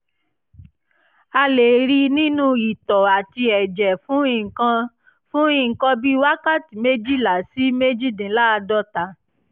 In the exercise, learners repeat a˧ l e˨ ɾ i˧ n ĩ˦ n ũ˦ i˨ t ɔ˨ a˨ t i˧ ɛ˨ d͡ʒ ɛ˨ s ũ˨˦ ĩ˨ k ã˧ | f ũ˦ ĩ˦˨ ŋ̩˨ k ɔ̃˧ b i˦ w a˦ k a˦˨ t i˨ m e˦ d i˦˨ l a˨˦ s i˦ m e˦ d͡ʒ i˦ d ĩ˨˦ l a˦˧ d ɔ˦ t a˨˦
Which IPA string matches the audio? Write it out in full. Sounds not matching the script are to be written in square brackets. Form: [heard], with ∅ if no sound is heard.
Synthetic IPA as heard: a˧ l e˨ ɾ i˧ n ĩ˦ n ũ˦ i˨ t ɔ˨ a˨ t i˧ ɛ˨ d͡ʒ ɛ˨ [f] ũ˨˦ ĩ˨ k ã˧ | f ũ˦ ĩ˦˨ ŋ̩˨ k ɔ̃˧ b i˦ w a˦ k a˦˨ t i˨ m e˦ [d͡ʒ] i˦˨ l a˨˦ s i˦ m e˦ d͡ʒ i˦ d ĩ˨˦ l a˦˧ d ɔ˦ t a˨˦